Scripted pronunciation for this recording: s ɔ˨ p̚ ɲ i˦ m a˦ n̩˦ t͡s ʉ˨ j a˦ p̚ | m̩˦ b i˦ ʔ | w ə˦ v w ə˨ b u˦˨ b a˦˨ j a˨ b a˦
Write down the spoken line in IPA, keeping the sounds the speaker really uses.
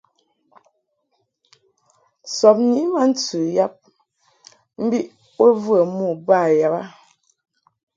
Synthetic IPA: s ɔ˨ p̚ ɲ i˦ m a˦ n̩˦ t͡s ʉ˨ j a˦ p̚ | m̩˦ b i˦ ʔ | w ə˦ v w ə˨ m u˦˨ b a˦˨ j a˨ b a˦